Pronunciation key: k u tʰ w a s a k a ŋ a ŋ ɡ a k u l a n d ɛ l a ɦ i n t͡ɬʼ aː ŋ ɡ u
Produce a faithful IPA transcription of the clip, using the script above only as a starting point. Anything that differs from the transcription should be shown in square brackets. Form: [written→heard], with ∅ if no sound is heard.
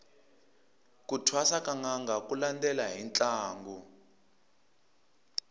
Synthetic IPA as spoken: k u tʰ w a s a k a ŋ a ŋ ɡ a k u l a n d ɛ l a ɦ i n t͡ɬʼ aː ŋ ɡ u